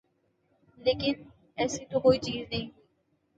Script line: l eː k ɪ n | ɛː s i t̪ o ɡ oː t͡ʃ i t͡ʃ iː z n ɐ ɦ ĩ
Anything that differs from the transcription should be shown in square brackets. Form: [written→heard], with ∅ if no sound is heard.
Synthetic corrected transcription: l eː k ɪ n | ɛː s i t̪ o [ɡ→k] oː [t͡ʃ→∅] i t͡ʃ iː z n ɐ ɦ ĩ